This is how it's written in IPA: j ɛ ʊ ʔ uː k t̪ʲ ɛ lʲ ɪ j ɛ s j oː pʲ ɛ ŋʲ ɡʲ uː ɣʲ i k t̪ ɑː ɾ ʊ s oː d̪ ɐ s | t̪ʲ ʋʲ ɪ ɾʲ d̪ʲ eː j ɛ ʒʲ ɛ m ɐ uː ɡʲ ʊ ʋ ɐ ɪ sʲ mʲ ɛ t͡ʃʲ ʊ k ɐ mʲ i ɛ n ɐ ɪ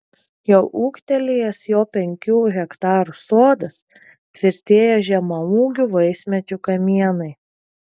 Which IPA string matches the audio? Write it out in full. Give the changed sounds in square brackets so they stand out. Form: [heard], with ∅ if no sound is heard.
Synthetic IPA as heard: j ɛ ʊ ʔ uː k t̪ʲ ɛ lʲ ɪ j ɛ s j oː pʲ ɛ ŋʲ [kʲ] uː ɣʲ [ɛ] k t̪ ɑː ɾ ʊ s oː d̪ ɐ s | t̪ʲ ʋʲ ɪ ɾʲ [t̪ʲ] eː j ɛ ʒʲ ɛ m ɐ uː ɡʲ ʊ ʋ ɐ ɪ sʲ mʲ ɛ t͡ʃʲ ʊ k ɐ mʲ i ɛ n ɐ ɪ